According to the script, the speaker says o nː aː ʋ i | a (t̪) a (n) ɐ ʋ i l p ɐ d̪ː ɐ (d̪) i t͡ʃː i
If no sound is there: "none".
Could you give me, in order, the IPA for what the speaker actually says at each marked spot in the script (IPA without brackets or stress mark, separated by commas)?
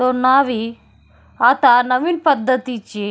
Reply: t̪, n, t̪